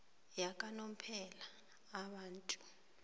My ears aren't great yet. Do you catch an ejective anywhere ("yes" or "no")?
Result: yes